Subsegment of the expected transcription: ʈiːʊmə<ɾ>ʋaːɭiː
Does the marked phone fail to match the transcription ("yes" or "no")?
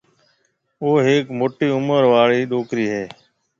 no